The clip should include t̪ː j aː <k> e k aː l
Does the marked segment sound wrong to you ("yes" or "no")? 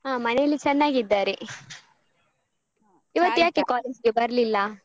no